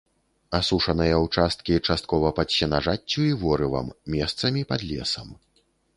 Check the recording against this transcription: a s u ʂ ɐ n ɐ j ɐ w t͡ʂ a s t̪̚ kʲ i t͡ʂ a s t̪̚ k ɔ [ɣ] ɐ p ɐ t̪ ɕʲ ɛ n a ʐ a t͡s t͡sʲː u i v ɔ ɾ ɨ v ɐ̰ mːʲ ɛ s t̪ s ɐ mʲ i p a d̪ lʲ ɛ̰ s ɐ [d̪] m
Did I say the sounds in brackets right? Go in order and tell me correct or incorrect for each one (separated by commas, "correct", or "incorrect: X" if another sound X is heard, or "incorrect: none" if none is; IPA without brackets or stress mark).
incorrect: v, incorrect: none